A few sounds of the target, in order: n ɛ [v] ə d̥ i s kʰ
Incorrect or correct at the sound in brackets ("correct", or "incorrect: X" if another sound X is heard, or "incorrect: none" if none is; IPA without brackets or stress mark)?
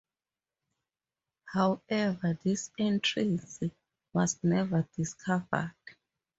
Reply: correct